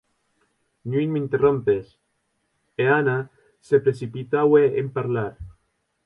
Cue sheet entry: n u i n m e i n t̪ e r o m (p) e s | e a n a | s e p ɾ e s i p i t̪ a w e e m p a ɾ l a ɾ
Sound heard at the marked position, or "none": p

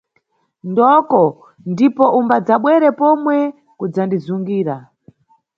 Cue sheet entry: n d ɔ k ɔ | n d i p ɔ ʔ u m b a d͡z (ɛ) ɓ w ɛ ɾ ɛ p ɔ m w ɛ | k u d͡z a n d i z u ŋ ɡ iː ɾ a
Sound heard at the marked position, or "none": a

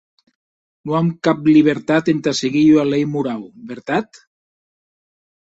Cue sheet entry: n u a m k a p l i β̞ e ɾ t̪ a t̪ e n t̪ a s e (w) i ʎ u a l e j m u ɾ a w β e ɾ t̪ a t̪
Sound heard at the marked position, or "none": ɣ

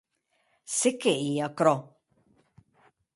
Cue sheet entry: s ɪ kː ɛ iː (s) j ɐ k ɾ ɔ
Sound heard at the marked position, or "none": none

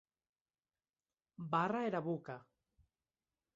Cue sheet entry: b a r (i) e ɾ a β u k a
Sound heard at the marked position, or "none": a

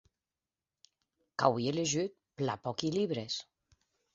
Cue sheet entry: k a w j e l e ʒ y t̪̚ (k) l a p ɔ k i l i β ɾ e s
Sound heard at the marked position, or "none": p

